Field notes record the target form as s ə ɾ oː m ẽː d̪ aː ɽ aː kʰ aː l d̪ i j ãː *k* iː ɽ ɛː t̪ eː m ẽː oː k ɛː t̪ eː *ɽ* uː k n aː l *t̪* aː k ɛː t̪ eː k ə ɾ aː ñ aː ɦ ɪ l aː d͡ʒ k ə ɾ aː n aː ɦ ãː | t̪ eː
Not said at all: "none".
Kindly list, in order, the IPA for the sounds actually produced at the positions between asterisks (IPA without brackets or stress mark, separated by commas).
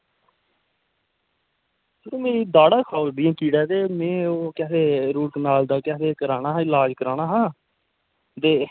k, ɾ, d̪